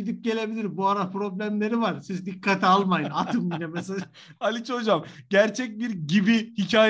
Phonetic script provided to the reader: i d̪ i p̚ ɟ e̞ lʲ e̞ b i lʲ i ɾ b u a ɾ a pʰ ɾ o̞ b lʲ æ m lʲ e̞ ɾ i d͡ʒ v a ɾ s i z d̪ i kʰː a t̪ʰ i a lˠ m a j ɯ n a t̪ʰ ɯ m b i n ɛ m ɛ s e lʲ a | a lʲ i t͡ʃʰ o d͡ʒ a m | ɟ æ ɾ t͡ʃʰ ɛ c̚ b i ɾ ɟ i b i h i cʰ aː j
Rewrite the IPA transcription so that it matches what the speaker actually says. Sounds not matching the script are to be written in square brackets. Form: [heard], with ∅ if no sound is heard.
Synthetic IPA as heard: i d̪ i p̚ ɟ e̞ lʲ e̞ b i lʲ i ɾ b u a ɾ a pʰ ɾ o̞ b lʲ æ m lʲ e̞ ɾ i [∅] v a ɾ s i z d̪ i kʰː a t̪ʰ i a lˠ m a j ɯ n a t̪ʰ ɯ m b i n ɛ m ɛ s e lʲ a | a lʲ i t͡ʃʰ o d͡ʒ a m | ɟ æ ɾ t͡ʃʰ ɛ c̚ b i ɾ ɟ i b i h i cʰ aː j